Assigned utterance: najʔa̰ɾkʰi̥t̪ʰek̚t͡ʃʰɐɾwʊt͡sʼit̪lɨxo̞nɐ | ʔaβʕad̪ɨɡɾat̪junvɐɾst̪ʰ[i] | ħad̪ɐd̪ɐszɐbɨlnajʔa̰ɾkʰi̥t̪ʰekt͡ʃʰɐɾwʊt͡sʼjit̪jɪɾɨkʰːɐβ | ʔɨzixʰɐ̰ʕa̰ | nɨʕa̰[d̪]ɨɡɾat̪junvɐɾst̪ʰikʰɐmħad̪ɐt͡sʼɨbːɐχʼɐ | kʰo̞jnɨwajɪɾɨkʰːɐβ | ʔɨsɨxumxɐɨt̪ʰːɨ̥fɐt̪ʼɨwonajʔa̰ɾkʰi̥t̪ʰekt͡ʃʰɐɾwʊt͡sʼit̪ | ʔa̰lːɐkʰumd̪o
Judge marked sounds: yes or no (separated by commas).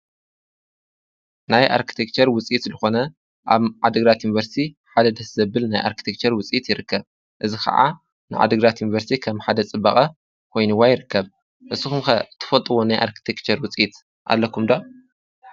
yes, yes